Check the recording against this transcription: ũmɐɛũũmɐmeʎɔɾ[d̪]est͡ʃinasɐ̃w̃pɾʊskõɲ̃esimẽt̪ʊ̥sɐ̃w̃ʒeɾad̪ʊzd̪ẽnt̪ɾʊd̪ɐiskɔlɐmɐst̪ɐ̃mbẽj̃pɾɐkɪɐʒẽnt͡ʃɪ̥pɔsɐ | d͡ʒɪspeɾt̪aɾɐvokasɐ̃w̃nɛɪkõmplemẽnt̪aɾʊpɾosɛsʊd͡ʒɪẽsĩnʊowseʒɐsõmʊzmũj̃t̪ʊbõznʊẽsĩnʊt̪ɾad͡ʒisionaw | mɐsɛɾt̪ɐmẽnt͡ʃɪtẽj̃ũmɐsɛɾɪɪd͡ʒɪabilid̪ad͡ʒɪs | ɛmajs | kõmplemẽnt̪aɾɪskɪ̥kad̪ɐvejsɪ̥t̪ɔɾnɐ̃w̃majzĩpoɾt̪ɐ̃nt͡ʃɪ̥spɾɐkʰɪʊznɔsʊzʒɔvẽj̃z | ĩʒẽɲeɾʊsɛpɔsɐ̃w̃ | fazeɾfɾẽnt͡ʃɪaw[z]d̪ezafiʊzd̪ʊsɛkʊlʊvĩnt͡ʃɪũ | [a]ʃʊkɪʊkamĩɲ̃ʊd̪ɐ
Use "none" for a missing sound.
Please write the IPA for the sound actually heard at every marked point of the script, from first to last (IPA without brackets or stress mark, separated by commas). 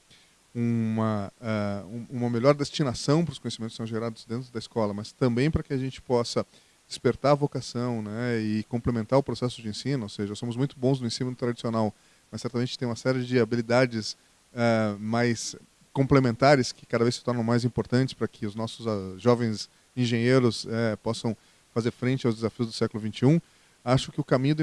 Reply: d̪, z, a